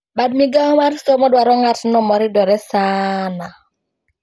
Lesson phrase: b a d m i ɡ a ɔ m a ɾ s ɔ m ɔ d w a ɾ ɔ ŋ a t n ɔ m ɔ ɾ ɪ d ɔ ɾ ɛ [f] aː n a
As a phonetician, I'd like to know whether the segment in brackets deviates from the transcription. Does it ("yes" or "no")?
yes